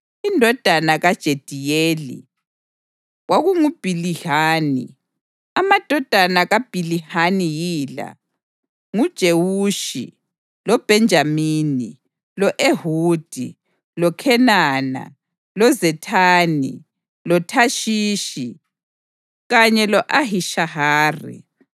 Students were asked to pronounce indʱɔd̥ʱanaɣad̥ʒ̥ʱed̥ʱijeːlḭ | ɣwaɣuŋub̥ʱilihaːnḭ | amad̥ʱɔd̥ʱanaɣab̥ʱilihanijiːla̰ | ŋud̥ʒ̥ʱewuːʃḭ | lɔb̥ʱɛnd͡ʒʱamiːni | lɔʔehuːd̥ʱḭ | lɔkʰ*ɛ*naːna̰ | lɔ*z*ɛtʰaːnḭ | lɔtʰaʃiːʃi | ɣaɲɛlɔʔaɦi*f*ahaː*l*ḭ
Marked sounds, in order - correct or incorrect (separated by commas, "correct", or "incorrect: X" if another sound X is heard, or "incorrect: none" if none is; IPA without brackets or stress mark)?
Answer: correct, correct, incorrect: ʃ, incorrect: r